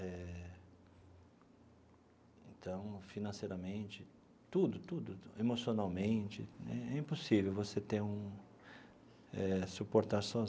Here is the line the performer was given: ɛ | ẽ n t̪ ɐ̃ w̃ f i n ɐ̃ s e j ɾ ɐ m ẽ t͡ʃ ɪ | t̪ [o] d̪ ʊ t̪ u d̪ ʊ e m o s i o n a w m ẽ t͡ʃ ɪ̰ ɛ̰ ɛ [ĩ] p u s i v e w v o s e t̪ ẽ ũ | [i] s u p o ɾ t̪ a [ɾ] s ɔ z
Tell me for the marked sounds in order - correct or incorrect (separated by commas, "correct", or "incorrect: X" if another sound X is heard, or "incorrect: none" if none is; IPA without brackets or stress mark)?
incorrect: u, correct, incorrect: ɛ, correct